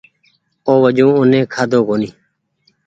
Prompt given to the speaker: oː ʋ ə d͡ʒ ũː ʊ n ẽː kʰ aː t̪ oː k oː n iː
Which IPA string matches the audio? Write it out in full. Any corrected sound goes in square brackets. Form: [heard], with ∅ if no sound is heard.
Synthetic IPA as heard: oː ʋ ə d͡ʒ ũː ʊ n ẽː kʰ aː [d̪] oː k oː n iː